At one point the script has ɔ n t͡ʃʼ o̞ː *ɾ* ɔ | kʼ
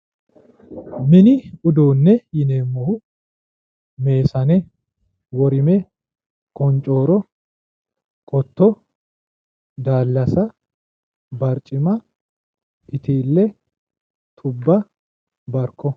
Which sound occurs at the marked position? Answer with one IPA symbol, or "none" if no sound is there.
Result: ɾ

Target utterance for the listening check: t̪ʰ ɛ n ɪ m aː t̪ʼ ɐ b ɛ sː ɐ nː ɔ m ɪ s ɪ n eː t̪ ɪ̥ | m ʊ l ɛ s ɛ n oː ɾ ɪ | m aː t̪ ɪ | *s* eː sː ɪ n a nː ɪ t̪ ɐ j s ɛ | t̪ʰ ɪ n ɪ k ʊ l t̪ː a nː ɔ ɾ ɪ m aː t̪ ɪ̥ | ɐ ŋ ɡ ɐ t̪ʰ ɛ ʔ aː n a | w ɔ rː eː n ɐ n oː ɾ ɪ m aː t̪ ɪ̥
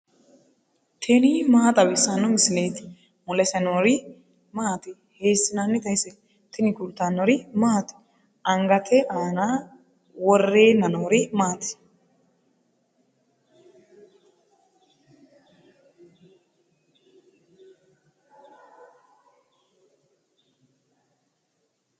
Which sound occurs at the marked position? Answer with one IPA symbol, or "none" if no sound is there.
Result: h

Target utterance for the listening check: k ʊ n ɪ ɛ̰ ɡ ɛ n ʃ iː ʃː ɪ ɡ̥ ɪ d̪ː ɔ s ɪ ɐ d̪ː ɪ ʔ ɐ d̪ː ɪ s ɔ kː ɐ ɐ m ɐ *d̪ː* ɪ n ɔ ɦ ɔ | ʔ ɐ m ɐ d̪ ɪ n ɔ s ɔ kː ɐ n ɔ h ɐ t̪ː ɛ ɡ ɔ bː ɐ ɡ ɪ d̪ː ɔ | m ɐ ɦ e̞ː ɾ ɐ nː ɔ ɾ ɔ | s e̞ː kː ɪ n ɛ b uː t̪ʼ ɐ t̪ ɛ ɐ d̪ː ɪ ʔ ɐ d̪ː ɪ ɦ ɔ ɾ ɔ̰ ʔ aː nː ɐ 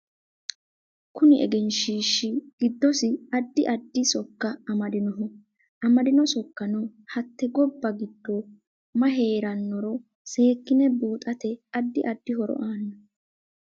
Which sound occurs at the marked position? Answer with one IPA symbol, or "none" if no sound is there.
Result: d̪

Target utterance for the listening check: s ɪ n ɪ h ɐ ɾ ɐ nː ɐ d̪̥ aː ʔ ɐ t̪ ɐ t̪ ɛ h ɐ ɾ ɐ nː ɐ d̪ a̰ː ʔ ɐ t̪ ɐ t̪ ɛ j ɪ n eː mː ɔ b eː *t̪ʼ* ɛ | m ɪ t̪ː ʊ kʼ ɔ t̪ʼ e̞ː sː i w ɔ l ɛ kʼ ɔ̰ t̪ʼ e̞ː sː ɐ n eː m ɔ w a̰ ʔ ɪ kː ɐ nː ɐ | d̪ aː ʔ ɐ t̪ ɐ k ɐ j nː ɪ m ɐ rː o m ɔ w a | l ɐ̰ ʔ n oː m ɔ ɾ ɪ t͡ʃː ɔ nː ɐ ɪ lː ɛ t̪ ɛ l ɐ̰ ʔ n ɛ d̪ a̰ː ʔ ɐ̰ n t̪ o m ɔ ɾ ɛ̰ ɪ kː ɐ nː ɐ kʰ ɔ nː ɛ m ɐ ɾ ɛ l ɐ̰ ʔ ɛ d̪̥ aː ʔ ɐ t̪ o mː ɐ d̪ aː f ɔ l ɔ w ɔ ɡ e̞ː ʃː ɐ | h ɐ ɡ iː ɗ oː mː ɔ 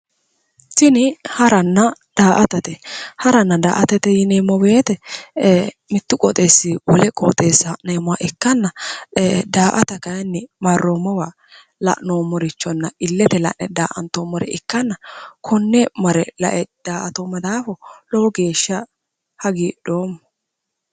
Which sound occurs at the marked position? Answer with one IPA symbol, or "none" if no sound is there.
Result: t̪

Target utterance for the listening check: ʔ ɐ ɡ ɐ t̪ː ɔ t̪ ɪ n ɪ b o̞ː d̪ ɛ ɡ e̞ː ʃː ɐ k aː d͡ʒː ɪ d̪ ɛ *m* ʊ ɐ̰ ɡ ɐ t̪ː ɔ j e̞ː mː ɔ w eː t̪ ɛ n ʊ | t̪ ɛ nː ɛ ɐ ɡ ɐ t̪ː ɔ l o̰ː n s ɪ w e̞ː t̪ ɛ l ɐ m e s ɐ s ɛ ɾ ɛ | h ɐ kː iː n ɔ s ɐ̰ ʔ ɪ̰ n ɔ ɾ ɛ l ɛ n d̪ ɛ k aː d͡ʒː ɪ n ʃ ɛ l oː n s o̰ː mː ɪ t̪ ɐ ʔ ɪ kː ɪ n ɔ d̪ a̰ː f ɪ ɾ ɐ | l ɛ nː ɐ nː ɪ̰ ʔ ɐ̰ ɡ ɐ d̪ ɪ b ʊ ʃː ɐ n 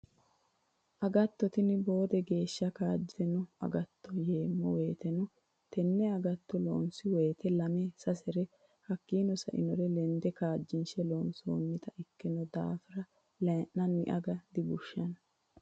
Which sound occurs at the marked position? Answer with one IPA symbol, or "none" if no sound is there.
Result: n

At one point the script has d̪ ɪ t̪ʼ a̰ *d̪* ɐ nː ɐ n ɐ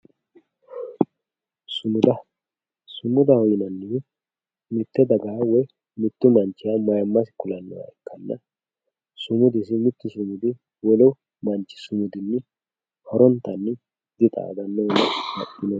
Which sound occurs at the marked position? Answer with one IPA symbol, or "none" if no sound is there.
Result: d̪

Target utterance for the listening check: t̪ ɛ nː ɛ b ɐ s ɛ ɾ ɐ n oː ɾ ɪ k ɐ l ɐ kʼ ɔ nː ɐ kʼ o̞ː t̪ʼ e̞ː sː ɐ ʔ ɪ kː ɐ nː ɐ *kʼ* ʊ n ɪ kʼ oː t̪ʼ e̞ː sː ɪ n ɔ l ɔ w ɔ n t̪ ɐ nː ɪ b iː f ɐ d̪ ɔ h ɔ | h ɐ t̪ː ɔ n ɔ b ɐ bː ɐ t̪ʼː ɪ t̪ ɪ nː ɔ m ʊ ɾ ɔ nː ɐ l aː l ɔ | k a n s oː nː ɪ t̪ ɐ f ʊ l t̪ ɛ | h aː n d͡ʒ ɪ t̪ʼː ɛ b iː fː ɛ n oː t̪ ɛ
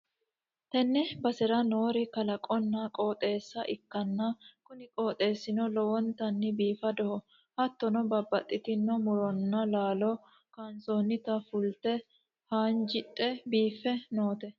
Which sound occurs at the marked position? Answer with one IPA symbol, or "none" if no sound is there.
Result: k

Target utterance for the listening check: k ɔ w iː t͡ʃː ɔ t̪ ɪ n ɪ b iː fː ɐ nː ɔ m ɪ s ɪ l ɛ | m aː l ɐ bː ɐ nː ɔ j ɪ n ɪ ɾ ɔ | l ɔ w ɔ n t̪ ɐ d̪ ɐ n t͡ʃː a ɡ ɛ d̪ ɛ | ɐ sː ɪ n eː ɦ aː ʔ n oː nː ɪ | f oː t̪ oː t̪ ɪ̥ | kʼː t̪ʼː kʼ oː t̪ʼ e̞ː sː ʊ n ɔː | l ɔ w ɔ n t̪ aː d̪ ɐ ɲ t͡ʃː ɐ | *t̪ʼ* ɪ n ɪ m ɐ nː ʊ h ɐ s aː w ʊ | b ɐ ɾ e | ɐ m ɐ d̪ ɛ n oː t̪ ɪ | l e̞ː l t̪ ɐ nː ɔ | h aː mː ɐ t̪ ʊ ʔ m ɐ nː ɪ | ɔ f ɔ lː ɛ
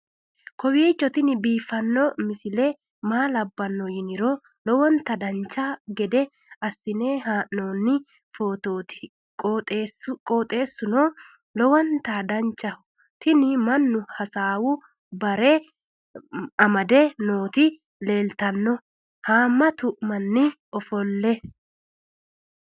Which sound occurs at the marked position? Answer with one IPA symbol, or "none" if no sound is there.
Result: t̪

